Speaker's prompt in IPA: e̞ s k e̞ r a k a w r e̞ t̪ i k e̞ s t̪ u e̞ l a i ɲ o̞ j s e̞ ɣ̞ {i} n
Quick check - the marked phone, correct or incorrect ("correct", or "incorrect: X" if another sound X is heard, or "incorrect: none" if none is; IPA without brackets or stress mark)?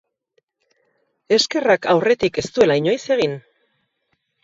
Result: correct